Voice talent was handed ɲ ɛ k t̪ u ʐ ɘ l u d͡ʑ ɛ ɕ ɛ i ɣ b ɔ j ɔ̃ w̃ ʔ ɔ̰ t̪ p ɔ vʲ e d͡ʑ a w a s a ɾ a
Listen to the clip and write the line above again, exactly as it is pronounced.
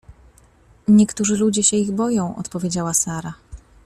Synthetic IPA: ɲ ɛ k t̪ u ʐ ɘ l u d͡ʑ ɛ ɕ ɛ i ɣ b ɔ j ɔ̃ w̃ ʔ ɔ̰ t̪ p ɔ vʲ e d͡ʑ a w a s a ɾ a